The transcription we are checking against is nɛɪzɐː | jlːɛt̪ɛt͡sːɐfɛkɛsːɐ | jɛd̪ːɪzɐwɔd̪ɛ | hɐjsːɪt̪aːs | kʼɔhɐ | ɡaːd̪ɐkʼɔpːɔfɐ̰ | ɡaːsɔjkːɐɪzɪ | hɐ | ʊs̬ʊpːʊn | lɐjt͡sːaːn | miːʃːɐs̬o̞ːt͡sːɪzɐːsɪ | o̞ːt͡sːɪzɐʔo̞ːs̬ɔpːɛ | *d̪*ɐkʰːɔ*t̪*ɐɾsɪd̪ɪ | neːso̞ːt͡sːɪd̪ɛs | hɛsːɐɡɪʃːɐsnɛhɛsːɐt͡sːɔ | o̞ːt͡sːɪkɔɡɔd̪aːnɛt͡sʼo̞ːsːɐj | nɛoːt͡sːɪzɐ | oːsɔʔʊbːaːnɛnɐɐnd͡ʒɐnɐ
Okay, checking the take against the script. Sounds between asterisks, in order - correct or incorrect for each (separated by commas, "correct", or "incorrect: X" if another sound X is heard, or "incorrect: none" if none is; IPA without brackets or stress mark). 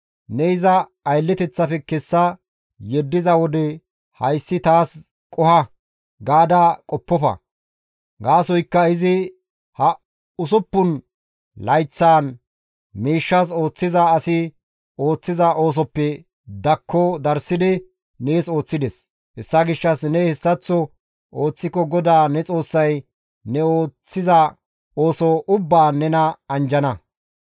correct, incorrect: d̪